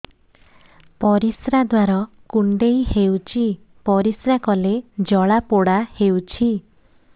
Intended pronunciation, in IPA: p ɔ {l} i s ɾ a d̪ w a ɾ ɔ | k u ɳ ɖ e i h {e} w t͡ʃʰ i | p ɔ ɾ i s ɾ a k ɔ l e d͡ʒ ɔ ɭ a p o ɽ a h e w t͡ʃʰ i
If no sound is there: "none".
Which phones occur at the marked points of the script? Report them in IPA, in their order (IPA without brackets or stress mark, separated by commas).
ɾ, e